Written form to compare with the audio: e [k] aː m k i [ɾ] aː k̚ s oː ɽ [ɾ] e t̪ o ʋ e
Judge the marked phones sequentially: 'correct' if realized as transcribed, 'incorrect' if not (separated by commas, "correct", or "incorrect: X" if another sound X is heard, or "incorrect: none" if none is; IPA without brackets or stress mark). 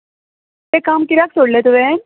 correct, correct, incorrect: l